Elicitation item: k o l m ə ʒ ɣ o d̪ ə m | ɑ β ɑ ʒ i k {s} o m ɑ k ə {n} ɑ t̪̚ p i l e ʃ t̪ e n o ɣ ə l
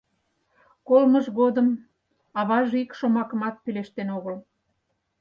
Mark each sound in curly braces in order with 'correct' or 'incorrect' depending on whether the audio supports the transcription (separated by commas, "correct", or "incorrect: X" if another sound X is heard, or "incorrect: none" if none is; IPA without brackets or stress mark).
incorrect: ʃ, incorrect: m